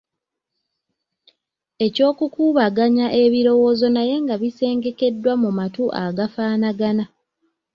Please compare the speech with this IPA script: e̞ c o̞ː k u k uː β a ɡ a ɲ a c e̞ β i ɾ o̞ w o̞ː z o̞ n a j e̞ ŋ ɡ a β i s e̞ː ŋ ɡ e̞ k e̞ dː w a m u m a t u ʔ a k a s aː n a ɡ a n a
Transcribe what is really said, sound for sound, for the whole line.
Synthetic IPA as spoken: e̞ c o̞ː k u k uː β a ɡ a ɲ a ʔ e̞ β i ɾ o̞ w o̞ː z o̞ n a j e̞ ŋ ɡ a β i s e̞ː ŋ ɡ e̞ k e̞ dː w a m u m a t u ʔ a ɡ a f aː n a ɡ a n a